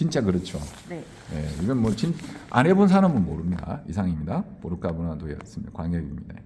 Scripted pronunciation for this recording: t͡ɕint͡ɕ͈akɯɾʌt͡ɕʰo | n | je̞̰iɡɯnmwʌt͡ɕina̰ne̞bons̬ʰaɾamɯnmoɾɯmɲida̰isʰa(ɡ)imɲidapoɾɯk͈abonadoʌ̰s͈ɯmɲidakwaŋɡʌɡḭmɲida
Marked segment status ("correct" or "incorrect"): incorrect